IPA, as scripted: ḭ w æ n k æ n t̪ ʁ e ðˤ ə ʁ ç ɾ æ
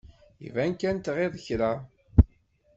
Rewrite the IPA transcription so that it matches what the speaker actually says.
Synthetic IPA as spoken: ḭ v æ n k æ n t̪ ʁ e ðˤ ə ç ɾ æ

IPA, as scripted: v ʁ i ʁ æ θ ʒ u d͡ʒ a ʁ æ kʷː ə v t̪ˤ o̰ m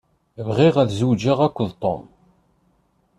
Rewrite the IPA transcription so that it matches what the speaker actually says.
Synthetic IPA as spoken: v ʁ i ʁ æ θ z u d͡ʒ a ʁ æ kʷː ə ð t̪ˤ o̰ m

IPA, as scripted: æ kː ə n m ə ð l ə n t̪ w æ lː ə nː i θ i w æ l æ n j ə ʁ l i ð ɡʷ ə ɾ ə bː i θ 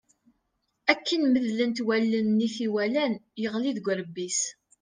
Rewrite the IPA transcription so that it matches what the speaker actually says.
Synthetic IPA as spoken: æ kː ə n m ə ð l ə n t̪ w æ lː ə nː i θ i w æ l æ n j ə ʁ l i ð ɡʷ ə ɾ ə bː i s

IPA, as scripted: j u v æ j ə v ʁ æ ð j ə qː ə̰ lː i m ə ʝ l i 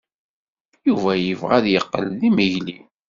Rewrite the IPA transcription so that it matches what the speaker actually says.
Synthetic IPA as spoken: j u v æ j ə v ʁ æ ð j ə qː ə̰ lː i m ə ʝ l i

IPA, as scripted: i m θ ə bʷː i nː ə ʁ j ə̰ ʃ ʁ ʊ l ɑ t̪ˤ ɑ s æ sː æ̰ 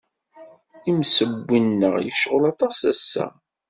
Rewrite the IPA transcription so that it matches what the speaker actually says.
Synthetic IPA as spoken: i m s ə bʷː i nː ə ʁ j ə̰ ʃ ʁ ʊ l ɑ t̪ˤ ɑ s æ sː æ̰

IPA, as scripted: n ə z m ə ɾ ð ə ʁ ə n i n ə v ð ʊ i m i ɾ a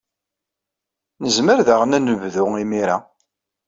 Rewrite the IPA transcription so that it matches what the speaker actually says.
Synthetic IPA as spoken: n ə z m ə ɾ ð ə ʁ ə n æ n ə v ð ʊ i m i ɾ a

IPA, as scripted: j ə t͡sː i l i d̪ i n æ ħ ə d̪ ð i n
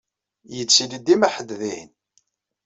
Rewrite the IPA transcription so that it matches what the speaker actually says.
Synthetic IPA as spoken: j ə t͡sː i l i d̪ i m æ ħ ə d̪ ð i n

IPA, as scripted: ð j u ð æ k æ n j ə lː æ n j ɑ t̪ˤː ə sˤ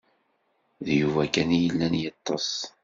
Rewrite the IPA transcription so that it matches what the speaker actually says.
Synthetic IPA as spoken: ð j u v æ k æ n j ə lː æ n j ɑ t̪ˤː ɑ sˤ

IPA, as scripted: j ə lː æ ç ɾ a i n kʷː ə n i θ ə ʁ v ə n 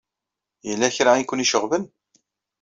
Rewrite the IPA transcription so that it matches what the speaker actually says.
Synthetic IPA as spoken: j ə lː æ ç ɾ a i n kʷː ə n i ʃ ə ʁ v ə n

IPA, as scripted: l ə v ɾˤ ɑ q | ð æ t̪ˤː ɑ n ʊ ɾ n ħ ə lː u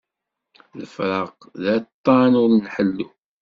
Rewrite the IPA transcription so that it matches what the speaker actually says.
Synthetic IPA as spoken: l ə f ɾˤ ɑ q | ð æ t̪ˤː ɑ n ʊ ɾ n ħ ə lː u

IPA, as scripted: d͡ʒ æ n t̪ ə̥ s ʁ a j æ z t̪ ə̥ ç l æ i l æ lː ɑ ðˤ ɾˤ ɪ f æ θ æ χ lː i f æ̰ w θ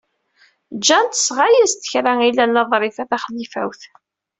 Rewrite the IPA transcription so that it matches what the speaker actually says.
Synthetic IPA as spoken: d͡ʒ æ n t̪ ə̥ s ʁ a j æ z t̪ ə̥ ç ɾ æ i l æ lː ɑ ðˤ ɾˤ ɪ f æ θ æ χ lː i f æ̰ w θ

